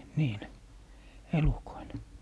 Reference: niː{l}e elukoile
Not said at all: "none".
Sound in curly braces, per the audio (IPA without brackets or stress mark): l